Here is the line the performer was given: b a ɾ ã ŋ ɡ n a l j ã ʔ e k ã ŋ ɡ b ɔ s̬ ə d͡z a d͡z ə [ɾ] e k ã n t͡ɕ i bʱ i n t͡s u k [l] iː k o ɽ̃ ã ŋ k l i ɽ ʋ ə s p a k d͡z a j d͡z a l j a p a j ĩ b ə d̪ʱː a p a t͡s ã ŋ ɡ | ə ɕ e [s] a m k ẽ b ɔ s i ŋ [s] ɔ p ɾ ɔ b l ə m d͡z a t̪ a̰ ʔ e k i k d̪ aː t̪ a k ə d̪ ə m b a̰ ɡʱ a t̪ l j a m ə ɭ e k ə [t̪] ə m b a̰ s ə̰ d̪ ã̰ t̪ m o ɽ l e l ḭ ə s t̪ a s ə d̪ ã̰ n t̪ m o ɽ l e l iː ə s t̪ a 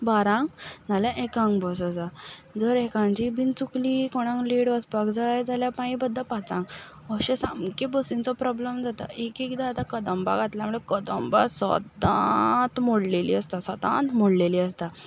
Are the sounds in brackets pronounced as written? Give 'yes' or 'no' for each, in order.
yes, yes, yes, no, no

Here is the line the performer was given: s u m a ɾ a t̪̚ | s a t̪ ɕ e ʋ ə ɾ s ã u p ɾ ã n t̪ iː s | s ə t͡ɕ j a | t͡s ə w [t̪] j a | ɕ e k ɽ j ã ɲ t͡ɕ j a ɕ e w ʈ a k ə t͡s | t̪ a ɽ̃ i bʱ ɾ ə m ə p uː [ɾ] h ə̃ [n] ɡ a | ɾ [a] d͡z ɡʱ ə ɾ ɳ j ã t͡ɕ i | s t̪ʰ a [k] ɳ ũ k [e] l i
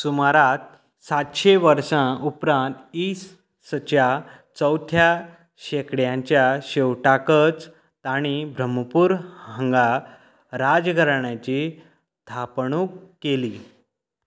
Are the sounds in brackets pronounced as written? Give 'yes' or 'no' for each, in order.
no, yes, no, yes, no, yes

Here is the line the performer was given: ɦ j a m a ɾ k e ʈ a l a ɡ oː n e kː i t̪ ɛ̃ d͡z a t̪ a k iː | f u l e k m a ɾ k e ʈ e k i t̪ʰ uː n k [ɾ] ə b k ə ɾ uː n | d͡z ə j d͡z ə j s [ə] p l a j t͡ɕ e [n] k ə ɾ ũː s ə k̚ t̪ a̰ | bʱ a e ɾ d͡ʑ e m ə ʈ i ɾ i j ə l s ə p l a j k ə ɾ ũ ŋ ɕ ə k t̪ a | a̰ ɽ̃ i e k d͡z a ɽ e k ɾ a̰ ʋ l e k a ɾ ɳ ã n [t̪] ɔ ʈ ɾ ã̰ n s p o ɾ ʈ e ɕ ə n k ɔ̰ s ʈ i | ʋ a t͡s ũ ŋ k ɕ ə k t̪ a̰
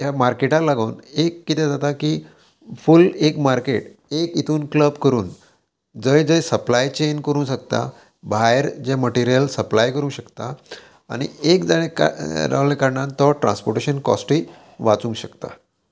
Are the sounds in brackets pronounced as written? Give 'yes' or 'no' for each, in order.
no, yes, yes, yes

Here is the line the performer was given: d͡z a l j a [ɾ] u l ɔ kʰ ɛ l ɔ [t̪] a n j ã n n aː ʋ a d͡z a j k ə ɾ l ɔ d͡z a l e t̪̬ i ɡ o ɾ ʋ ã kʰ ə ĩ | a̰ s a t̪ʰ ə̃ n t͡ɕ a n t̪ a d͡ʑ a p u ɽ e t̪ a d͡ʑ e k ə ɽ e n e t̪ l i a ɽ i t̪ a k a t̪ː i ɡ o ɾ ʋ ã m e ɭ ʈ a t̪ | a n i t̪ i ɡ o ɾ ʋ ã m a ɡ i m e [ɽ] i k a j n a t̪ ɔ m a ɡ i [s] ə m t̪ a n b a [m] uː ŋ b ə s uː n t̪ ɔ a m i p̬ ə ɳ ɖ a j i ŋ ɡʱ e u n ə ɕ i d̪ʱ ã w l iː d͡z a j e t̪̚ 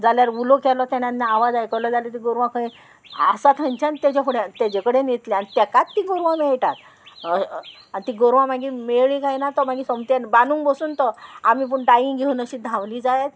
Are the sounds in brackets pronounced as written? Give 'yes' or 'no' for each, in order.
yes, yes, no, yes, no

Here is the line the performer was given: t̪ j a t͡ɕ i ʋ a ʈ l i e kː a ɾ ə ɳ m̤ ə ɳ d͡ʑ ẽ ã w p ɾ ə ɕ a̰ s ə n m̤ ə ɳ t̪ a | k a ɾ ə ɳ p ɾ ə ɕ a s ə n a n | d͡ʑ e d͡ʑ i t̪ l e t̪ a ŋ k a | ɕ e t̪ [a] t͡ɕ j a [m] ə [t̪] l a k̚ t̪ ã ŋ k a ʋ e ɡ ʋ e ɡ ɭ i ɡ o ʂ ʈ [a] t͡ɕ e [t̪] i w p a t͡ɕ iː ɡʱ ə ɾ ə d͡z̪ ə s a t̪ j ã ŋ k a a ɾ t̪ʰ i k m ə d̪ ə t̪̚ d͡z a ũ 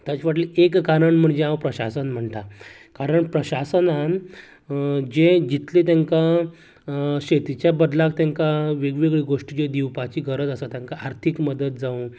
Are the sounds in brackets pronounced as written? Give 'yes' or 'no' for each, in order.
no, no, no, no, no

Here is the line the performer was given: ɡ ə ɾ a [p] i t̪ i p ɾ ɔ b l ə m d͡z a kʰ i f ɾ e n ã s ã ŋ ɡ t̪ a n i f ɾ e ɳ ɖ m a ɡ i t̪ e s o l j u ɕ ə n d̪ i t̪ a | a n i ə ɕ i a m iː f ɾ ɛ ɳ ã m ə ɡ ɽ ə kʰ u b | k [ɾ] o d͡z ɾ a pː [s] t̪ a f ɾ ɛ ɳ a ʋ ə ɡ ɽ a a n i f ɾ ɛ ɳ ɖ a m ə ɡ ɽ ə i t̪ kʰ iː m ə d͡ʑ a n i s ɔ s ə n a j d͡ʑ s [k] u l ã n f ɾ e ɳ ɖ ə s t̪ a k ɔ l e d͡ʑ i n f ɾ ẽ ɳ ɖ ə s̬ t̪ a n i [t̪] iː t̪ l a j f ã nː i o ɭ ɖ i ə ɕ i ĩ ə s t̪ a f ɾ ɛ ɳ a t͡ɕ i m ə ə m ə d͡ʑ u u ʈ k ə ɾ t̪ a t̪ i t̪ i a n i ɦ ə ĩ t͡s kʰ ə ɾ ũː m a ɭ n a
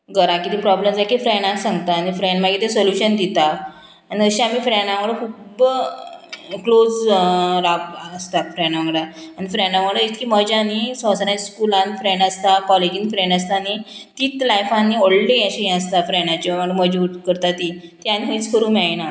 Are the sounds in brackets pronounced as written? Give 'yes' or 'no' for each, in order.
no, no, yes, yes, yes

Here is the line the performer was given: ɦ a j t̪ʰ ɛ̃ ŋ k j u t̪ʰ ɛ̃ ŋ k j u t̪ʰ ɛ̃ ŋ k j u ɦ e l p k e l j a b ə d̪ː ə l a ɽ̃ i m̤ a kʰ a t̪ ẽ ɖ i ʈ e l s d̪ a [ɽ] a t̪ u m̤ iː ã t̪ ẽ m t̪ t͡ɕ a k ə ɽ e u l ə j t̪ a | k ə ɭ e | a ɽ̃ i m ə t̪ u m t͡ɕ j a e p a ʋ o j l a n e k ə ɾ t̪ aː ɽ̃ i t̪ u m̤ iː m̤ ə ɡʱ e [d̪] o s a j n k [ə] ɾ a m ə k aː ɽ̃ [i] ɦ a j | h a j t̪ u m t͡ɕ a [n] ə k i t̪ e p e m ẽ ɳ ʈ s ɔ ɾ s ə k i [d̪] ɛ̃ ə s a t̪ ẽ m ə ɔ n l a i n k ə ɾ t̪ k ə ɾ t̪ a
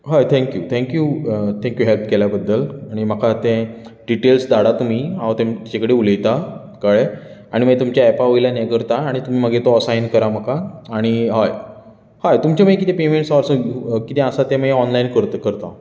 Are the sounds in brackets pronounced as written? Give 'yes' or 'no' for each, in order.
yes, no, yes, yes, no, no

